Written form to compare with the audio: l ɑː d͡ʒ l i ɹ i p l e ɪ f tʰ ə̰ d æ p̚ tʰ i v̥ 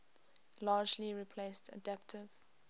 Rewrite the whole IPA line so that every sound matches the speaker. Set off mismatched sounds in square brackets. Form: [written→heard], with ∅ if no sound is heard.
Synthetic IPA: l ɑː d͡ʒ l i ɹ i [p→pʰ] l e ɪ [f→s] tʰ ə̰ d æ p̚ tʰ [i→ɪ] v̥